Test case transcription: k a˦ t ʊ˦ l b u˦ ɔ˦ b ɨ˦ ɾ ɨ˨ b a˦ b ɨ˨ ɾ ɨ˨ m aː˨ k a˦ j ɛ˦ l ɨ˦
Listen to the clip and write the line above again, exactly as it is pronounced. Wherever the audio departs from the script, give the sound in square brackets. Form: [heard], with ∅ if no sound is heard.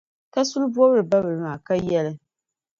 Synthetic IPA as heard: k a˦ [s] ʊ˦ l b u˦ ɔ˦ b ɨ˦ ɾ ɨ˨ b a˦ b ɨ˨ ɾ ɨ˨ m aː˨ k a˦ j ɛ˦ l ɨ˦